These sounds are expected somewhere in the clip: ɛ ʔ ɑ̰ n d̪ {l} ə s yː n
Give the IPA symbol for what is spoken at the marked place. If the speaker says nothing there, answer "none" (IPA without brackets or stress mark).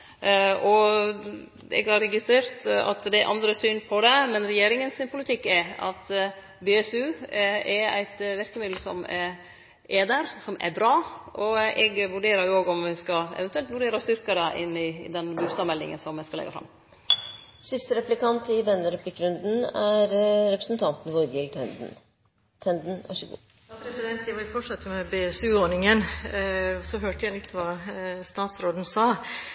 ɾ